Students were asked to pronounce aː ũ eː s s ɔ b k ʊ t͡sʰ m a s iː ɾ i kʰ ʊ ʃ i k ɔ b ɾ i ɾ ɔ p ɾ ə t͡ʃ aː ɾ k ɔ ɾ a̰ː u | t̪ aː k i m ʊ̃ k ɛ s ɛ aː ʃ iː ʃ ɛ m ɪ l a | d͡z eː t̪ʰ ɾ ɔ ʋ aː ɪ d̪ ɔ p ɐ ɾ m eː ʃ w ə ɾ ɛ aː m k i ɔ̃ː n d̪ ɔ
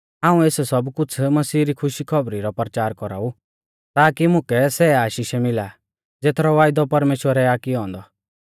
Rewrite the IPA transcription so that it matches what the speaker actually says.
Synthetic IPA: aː ũ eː s s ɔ b k ʊ t͡sʰ m ɐ s iː ɾ i kʰ ʊ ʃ i kʰ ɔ b ɾ i ɾ ɔ p ɾ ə t͡ʃ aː ɾ k ɔ ɾ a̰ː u | t̪ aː k i m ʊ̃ k ɛ s ɛ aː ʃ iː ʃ ɛ m ɪ l a | d͡z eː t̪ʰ ɾ ɔ ʋ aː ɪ d̪ ɔ p ɐ ɾ m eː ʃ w ə ɾ ɛ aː k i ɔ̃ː n d̪ ɔ